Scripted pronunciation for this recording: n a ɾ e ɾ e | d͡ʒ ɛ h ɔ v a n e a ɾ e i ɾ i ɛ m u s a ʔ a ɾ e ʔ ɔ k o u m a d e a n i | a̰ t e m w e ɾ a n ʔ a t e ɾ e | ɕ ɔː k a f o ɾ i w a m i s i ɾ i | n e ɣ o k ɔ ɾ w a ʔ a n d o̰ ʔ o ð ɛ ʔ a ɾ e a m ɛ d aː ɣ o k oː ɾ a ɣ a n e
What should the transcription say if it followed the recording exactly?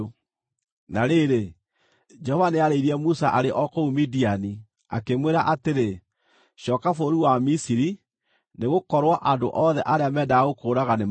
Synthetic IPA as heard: n a ɾ e ɾ e | d͡ʒ ɛ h ɔ v a n e a ɾ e i ɾ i ɛ m u s a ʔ a ɾ e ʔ ɔ k o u m i d i a n i | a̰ k e m w e ɾ a ʔ a t e ɾ e | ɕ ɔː k a f o ɾ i w a m i s i ɾ i | n e ɣ o k ɔ ɾ w a ʔ a n d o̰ ʔ ɔ ð ɛ ʔ a ɾ e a m ɛ d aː ɣ o k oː ɾ a ɣ a n e